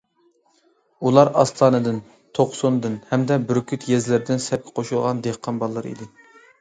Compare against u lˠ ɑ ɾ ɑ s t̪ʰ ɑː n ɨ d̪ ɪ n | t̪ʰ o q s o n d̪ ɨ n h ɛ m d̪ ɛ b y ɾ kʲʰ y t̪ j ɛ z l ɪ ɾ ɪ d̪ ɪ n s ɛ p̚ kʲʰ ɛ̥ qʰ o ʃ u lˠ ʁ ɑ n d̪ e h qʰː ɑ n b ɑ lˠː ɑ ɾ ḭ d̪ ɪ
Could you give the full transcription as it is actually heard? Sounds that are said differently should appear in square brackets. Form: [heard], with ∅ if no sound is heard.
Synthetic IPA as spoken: u lˠ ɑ ɾ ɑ s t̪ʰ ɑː n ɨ d̪ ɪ n | t̪ʰ o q s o n d̪ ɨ n h ɛ m d̪ ɛ b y ɾ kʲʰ y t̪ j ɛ z l ɪ ɾ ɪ d̪ ɪ n s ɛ p̚ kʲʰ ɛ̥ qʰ o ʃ u lˠ ʁ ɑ n d̪ e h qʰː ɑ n b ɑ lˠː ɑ ɾ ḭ d̪ ɪ